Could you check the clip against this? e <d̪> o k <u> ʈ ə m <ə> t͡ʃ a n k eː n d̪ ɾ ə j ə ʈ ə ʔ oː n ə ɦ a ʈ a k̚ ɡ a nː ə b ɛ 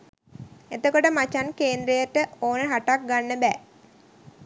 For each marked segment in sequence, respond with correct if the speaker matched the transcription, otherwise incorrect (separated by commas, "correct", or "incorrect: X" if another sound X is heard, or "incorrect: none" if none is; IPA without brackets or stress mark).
incorrect: t̪, incorrect: o, incorrect: a